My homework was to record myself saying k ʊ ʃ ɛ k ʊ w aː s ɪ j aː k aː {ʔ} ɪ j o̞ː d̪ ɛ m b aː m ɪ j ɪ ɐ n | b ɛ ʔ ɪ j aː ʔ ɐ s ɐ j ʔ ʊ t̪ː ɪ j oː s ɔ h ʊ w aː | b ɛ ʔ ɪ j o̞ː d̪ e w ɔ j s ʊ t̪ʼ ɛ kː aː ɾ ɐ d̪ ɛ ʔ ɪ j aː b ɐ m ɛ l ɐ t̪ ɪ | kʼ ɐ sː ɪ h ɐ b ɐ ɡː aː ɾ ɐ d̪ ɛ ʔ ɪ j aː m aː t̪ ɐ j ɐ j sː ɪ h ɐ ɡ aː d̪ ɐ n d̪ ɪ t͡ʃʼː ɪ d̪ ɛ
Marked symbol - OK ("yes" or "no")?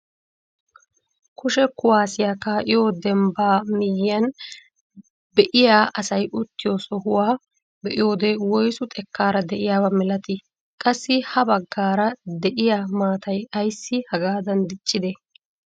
yes